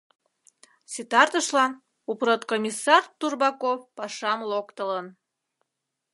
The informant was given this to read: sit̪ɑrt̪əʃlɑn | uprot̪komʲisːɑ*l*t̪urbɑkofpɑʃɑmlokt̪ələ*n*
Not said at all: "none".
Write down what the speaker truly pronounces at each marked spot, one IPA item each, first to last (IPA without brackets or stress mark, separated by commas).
r, n